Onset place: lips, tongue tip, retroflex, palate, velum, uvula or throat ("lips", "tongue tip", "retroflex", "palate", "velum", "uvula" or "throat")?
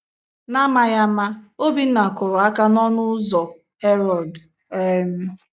tongue tip